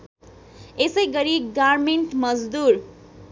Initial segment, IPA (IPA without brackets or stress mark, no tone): e